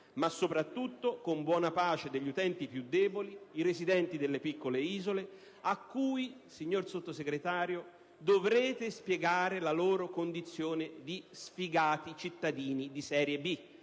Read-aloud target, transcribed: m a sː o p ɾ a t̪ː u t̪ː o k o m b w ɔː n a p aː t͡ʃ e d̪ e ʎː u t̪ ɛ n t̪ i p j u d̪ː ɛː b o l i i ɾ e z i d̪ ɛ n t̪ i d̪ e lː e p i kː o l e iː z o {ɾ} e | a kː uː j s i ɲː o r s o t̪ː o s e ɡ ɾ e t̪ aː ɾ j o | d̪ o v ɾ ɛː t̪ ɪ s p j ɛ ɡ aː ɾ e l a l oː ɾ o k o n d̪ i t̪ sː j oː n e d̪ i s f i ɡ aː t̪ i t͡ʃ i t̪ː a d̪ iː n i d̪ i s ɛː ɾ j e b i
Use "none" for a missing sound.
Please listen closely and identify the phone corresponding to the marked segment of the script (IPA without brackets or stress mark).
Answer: l